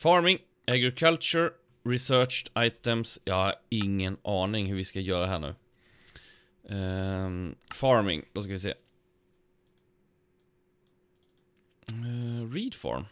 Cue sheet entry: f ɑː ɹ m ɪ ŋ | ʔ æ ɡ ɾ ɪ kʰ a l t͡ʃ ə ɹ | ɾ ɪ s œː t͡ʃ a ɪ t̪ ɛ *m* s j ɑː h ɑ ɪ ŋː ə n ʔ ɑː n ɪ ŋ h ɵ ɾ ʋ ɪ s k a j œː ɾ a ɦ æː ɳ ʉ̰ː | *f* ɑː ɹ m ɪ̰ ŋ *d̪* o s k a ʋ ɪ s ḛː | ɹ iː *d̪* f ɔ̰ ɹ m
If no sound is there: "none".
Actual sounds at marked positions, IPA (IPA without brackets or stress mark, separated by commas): m, f, d̪, d̪